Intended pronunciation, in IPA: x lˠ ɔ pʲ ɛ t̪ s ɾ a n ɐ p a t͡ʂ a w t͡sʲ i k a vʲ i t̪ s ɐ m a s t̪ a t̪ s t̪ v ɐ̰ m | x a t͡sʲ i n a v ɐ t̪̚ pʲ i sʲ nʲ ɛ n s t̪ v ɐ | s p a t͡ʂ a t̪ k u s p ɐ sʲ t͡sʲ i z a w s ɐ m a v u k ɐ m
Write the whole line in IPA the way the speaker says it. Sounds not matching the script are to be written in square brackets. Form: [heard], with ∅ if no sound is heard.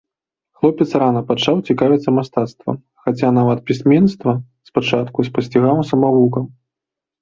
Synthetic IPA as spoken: x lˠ ɔ pʲ ɛ t̪ s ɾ a n ɐ p a t͡ʂ a w t͡sʲ i k a vʲ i t̪ s ɐ m a s t̪ a t̪ s t̪ v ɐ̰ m | x a t͡sʲ [a] n a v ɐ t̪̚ pʲ i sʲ [mʲ] ɛ n s t̪ v ɐ | s p a t͡ʂ a t̪ k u s p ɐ sʲ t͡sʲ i [ɣ] a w s ɐ m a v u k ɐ m

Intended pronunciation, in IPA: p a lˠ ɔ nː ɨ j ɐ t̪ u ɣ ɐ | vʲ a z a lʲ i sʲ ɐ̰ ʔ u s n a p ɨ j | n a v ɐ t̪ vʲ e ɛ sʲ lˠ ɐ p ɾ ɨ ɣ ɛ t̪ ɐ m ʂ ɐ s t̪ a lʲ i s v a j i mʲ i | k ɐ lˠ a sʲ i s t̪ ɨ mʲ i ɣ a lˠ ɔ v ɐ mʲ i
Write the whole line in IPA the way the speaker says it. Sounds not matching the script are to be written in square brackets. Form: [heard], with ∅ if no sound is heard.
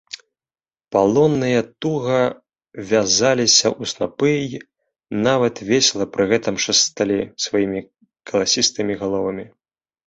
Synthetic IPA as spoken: p a lˠ ɔ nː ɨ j ɐ t̪ u ɣ ɐ | vʲ a z a lʲ i sʲ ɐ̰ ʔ u s n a p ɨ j | n a v ɐ t̪ vʲ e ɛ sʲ lˠ ɐ p ɾ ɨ ɣ ɛ t̪ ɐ m ʂ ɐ s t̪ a lʲ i s v a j i mʲ i | k ɐ lˠ a sʲ i s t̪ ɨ mʲ i ɣ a lˠ ɔ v ɐ mʲ i

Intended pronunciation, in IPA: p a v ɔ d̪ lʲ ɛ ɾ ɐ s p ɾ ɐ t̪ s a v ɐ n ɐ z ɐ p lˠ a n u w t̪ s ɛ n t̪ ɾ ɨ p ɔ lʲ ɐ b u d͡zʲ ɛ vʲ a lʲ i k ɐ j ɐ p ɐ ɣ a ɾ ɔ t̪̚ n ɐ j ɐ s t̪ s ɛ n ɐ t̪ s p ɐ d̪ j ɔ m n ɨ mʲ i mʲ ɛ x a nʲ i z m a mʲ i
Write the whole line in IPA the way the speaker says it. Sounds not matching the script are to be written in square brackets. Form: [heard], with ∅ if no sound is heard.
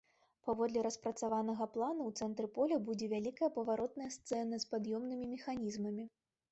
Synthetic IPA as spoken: p a v ɔ d̪ lʲ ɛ ɾ ɐ s p ɾ ɐ t̪ s a v [a] n ɐ [ɣ] ɐ p lˠ a n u w t̪ s ɛ n t̪ ɾ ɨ p ɔ lʲ ɐ b u d͡zʲ ɛ vʲ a lʲ i k ɐ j ɐ p ɐ [v] a ɾ ɔ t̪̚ n ɐ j ɐ s t̪ s ɛ n ɐ [∅] s p [a] d̪ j ɔ m n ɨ mʲ i mʲ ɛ x a nʲ i z m [ɐ] mʲ i

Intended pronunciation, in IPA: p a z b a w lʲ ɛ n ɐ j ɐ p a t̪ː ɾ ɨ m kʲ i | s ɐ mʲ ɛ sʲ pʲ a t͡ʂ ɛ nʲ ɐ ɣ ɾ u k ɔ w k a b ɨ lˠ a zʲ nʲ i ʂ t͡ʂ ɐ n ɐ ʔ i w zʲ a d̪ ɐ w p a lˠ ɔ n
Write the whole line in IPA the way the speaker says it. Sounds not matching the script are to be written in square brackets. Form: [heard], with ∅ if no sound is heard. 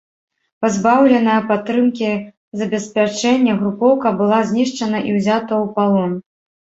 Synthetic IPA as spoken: p a z b a w lʲ ɛ n ɐ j ɐ p a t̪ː ɾ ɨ m kʲ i | [z] ɐ [bʲ] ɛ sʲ pʲ a t͡ʂ ɛ [nʲː] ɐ ɣ ɾ u [p] ɔ w k [ɐ] b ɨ lˠ a zʲ nʲ i ʂ t͡ʂ ɐ n ɐ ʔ i w zʲ a [t̪] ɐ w p a lˠ ɔ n

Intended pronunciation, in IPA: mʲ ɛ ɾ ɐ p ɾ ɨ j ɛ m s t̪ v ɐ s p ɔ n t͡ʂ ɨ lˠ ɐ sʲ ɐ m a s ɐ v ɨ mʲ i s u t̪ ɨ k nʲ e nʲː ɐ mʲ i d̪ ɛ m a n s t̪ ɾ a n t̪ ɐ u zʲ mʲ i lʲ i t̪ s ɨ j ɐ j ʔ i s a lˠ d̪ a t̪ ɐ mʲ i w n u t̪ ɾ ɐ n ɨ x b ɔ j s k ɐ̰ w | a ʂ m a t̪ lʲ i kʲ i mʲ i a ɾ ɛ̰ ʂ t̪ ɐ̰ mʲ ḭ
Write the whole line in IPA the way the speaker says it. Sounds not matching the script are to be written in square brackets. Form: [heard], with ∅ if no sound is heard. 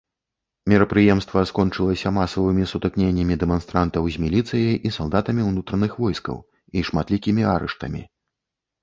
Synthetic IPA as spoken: mʲ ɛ ɾ ɐ p ɾ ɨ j ɛ m s t̪ v ɐ s [k] ɔ n t͡ʂ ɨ lˠ ɐ sʲ ɐ m a s ɐ v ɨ mʲ i s u t̪ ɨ k nʲ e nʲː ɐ mʲ i d̪ ɛ m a n s t̪ ɾ a n t̪ ɐ [w] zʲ mʲ i lʲ i t̪ s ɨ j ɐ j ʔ i s a lˠ d̪ a t̪ ɐ mʲ i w n u t̪ ɾ ɐ n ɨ x [v] ɔ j s k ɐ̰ w | [i] ʂ m a t̪ lʲ i kʲ i mʲ i a ɾ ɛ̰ ʂ t̪ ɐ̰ mʲ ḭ

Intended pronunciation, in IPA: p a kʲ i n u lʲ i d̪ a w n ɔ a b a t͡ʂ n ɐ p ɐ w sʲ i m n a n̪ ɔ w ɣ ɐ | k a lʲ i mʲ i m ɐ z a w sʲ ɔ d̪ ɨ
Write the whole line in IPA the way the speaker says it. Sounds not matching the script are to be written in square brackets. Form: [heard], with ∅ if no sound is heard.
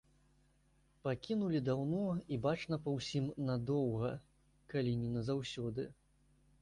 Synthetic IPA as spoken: p a kʲ i n u lʲ i d̪ a w n ɔ [i] b a t͡ʂ n ɐ p ɐ w sʲ i m n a [d̪] ɔ w ɣ ɐ | k a lʲ i [nʲ] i [n] ɐ z a w sʲ ɔ d̪ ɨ

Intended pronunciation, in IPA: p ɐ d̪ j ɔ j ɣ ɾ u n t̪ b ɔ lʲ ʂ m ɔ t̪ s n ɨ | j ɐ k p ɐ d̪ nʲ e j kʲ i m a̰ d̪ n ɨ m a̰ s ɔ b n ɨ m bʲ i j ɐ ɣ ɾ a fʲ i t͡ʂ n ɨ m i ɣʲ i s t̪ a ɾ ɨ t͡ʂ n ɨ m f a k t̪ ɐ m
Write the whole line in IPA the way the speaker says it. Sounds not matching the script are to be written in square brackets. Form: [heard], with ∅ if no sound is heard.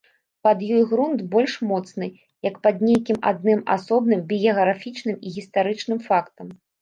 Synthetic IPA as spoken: p ɐ d̪ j ɔ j ɣ ɾ u n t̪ b ɔ lʲ ʂ m ɔ t̪ s n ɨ | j ɐ k p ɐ d̪ nʲ e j kʲ i m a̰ d̪ n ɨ m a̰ s ɔ b n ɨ m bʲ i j ɐ ɣ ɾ a fʲ i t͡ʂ n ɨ m i ɣʲ i s t̪ a ɾ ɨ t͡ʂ n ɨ m f a k t̪ ɐ m

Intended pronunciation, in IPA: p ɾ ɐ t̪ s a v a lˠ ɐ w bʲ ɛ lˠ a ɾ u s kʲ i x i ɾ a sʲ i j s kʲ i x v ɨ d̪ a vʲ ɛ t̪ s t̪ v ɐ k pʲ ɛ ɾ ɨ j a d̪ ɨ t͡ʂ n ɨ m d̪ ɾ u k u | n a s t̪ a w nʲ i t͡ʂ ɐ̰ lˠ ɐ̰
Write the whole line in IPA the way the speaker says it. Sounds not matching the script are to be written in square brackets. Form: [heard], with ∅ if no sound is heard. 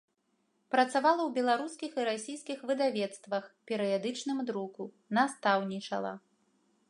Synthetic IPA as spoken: p ɾ ɐ t̪ s a v a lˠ ɐ w bʲ ɛ lˠ a ɾ u s kʲ i x i ɾ a sʲ i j s kʲ i x v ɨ d̪ a vʲ ɛ t̪ s t̪ v ɐ [x] pʲ ɛ ɾ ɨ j a d̪ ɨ t͡ʂ n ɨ m d̪ ɾ u k u | n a s t̪ a w nʲ i t͡ʂ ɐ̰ lˠ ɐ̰

